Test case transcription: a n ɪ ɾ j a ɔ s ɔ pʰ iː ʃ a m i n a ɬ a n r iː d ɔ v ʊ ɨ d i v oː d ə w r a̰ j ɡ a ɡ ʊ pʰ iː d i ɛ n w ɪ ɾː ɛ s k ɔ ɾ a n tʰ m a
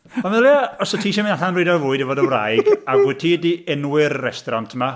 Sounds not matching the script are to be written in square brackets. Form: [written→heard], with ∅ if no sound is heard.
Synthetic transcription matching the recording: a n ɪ [ɾ→l] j a ɔ s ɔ [pʰ→tʰ] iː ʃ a m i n a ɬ a n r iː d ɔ v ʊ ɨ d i v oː d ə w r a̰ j ɡ a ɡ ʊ [pʰ→tʰ] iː d i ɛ n w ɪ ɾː ɛ s [k→t] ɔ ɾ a n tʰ m a